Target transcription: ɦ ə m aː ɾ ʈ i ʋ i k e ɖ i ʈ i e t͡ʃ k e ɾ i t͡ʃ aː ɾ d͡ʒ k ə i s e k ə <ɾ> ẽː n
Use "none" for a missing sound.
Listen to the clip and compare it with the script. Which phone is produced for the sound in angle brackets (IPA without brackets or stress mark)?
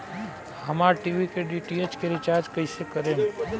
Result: ɾ